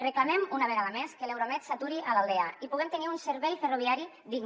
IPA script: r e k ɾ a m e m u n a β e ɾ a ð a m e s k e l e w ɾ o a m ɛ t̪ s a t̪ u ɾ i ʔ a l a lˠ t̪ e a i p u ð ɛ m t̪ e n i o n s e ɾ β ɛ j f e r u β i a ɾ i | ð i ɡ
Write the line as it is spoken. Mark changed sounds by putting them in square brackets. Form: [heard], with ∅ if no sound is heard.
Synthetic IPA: r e k [l] a m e m u n a β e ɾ a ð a m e s k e l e w ɾ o a m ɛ t̪ s a t̪ u ɾ i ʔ a l a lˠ [d̪] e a i p u [ɣ] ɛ m t̪ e n i [u] n s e ɾ β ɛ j f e r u β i a ɾ i | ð i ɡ